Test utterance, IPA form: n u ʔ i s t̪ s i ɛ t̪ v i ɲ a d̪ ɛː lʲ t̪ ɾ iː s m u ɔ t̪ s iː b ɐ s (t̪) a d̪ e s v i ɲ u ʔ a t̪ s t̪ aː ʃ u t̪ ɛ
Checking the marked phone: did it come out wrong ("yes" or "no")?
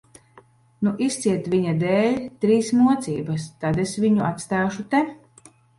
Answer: no